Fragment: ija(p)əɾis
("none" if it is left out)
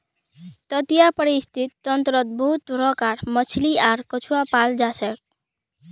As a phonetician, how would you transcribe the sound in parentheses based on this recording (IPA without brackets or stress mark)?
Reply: p